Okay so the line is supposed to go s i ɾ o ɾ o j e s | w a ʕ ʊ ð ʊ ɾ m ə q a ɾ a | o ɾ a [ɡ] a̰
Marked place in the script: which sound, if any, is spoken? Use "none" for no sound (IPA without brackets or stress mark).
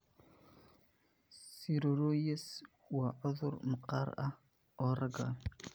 ɡ